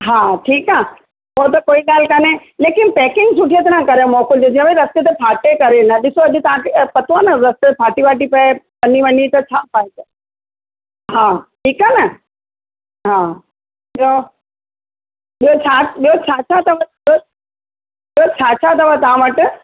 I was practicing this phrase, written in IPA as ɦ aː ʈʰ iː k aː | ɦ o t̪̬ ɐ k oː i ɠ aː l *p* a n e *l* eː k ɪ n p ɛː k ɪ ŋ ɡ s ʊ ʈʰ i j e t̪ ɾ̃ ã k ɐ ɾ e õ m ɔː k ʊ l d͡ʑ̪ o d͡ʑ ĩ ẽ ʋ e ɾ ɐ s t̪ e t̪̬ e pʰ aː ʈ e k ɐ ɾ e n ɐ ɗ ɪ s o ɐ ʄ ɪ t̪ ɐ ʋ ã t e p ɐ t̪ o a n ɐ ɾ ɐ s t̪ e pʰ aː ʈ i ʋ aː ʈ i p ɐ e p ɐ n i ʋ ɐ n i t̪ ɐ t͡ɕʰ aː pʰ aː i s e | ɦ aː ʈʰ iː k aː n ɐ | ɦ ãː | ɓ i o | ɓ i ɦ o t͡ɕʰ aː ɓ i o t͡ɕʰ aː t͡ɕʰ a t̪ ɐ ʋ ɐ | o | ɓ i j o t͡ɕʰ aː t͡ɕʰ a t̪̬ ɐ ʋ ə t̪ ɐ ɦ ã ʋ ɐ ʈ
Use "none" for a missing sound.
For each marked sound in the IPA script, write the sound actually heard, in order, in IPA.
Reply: k, l

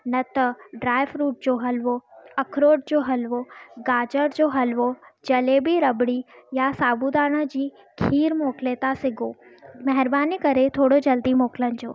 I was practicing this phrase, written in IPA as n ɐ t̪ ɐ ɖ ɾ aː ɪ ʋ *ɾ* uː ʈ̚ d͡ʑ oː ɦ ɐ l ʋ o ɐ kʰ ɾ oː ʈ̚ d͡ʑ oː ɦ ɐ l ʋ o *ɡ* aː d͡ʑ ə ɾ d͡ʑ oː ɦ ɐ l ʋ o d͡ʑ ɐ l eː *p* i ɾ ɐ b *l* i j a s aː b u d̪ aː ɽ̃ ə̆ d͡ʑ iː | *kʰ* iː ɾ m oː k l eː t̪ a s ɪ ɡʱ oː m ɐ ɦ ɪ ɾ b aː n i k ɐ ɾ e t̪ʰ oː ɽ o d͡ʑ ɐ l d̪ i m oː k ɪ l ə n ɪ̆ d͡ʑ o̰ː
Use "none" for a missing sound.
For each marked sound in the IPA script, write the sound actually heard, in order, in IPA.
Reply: ɾ, ɡ, b, ɽ, kʰ

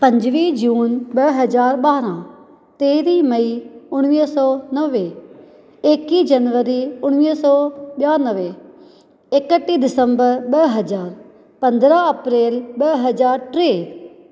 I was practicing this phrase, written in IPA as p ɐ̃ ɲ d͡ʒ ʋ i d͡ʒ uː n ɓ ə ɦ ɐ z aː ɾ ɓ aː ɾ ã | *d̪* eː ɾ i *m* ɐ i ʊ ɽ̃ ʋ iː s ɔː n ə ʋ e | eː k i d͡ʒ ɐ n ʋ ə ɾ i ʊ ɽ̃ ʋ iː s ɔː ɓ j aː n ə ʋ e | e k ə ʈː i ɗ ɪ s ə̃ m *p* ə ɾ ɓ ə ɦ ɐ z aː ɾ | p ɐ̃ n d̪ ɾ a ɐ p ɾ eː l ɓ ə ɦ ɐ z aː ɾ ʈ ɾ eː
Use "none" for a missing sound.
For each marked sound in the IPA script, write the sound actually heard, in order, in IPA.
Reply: t̪, m, b

